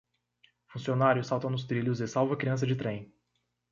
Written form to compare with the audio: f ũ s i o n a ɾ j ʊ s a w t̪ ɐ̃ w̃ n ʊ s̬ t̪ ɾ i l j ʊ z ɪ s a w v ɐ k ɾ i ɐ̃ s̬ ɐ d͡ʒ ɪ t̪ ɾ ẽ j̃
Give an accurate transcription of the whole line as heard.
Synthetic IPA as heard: f ũ s i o n a ɾ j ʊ s a w t̪ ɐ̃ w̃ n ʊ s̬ t̪ ɾ i l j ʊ z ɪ s a w v ɐ k ɾ i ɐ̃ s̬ ɐ d͡ʒ ɪ t̪ ɾ ẽ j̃